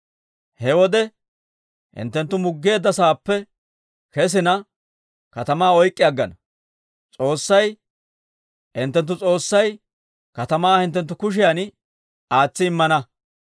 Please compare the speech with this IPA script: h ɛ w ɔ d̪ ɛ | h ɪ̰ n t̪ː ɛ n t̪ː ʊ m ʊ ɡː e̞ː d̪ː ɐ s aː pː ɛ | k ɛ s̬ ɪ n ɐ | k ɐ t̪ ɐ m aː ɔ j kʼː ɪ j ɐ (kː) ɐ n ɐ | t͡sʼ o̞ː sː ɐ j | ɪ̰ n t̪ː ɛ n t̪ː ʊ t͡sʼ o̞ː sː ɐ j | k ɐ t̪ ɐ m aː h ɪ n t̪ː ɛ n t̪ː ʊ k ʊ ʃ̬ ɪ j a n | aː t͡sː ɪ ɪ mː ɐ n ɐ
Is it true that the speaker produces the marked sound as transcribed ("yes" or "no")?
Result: no